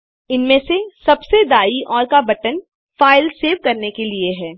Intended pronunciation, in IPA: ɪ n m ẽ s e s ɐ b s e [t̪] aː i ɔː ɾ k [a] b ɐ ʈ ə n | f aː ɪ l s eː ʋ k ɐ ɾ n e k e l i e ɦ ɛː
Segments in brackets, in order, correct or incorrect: incorrect: d̪, correct

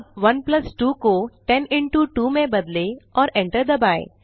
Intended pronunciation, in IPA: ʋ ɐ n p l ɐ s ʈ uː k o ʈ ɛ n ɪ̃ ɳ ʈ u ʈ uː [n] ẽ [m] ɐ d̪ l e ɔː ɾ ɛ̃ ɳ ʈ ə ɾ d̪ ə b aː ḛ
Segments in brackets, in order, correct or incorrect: incorrect: m, incorrect: b

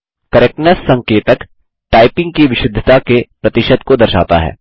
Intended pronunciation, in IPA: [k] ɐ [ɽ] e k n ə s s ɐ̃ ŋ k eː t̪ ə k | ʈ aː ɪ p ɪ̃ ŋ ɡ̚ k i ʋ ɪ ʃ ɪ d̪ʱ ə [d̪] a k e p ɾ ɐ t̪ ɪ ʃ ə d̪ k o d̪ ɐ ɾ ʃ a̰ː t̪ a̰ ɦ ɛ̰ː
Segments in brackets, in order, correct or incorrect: correct, incorrect: ɾ, incorrect: t̪

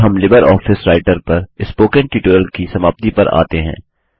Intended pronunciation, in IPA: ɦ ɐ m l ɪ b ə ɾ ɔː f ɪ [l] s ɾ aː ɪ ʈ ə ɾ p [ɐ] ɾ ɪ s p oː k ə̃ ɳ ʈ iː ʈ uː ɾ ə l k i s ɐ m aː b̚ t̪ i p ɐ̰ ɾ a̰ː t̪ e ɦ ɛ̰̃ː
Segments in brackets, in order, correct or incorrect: incorrect: none, correct

